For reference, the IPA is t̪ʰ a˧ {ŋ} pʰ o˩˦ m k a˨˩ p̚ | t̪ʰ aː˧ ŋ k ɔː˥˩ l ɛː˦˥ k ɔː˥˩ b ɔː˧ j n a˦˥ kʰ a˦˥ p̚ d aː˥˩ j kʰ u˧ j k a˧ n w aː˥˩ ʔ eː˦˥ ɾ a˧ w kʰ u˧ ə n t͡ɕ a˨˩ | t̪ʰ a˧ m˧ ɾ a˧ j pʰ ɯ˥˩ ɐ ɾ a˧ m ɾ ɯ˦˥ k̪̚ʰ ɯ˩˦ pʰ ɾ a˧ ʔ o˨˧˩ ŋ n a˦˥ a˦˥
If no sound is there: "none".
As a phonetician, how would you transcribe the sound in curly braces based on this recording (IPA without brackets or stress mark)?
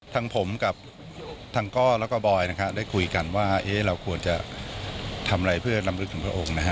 ŋ